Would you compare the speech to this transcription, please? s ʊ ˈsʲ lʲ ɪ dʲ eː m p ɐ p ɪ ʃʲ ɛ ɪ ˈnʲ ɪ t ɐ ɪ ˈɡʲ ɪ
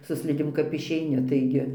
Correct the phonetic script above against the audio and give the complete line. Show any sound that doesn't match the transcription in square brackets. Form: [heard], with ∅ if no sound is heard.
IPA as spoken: s ʊ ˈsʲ lʲ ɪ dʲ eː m [k] ɐ p ɪ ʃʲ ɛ ɪ ˈnʲ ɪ t ɐ ɪ ˈɡʲ ɪ